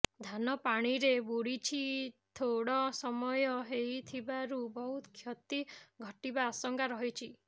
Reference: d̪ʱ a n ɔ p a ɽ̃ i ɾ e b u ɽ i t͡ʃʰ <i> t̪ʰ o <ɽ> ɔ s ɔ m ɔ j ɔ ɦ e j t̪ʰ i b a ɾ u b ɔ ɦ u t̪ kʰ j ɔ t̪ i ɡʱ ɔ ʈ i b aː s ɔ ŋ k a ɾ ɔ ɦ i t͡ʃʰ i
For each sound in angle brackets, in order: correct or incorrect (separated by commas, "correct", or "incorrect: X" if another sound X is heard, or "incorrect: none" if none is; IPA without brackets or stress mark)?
correct, correct